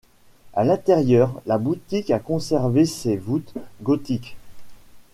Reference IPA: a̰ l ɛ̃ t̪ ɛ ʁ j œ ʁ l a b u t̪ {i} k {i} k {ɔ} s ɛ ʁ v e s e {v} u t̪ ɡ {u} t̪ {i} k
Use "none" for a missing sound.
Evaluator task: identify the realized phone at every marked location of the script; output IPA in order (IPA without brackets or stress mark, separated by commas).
i, a, ɔ̃, v, ɔ, i